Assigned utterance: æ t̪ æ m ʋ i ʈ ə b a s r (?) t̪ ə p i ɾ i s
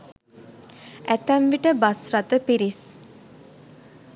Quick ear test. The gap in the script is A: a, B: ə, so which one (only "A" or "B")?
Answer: A